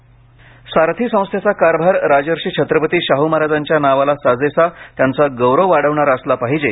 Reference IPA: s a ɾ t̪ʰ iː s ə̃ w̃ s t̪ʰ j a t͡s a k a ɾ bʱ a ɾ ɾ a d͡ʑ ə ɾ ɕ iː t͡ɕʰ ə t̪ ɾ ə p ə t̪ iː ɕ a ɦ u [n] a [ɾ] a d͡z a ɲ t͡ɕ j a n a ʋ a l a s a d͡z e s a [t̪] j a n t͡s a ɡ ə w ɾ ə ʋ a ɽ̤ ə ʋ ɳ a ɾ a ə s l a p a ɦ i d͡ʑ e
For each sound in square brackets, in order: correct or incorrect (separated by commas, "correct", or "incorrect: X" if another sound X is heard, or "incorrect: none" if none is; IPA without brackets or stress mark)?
incorrect: m, correct, correct